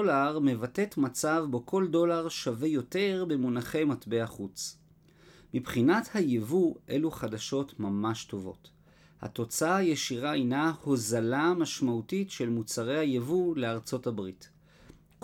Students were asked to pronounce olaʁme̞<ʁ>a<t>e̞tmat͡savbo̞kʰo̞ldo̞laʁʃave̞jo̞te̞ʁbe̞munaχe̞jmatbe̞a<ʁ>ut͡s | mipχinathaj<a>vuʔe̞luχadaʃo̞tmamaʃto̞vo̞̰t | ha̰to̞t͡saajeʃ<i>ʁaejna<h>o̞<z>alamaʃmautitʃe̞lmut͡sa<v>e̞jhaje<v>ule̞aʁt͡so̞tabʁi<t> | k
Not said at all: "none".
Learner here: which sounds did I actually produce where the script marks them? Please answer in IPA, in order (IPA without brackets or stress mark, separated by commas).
v, t, χ, e, i, h, z, ʁ, v, t